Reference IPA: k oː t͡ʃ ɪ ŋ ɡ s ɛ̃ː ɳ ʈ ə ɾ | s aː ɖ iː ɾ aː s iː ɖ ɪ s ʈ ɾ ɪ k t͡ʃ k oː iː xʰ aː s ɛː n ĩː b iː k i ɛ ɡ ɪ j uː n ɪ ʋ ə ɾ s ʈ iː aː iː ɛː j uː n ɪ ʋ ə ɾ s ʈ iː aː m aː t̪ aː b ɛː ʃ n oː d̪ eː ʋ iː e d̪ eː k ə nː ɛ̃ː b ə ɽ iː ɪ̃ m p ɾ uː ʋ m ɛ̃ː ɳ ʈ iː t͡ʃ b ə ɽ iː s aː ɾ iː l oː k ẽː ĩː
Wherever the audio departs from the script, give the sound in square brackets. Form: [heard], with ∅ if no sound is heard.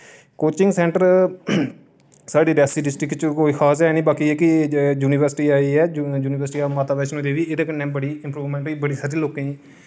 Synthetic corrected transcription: k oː t͡ʃ ɪ ŋ ɡ s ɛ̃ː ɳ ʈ ə ɾ | s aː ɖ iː ɾ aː s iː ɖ ɪ s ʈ ɾ ɪ k t͡ʃ k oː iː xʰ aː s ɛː n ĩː b [aː] k i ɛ [k] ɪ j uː n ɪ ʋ ə ɾ s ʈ iː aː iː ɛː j uː n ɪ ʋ ə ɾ s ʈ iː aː m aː t̪ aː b ɛː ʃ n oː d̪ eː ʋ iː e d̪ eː k ə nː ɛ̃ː b ə ɽ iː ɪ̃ m p ɾ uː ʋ m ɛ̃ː ɳ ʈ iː [∅] b ə ɽ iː s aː ɾ iː l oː k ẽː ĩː